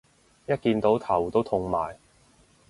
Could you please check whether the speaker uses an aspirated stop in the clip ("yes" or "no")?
yes